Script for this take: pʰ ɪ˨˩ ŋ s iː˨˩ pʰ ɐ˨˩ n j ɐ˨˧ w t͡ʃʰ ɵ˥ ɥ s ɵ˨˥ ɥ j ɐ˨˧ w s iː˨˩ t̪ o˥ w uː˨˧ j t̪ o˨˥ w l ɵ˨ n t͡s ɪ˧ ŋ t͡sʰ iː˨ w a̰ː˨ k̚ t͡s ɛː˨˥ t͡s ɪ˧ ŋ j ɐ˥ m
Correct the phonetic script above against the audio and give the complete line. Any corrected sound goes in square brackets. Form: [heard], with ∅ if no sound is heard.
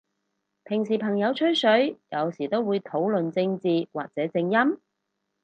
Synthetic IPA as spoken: pʰ ɪ˨˩ ŋ s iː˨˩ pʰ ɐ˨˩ [ŋ] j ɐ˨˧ w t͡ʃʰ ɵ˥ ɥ s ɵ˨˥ ɥ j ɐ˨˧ w s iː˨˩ t̪ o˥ w uː˨˧ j [t̪ʰ] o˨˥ w l ɵ˨ n t͡s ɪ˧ ŋ [t͡s] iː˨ w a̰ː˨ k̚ t͡s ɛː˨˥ t͡s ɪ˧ ŋ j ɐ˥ m